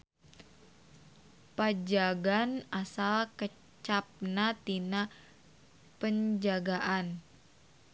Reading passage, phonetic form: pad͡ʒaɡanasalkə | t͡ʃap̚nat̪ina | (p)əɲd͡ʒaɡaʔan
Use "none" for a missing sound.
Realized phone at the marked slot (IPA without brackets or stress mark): p